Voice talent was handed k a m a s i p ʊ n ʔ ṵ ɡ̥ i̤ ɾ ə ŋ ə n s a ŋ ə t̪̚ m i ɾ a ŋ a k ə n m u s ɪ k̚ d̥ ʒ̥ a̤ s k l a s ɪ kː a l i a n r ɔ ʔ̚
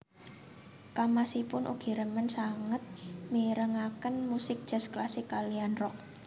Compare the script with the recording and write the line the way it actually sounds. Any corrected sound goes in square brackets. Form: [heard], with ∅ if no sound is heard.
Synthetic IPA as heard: k a m a s i p ʊ n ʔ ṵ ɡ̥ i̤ ɾ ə [m] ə n s a ŋ ə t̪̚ m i ɾ [ə] ŋ a k ə n m u s ɪ k̚ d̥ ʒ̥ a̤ s k l a s ɪ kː a l i a n r ɔ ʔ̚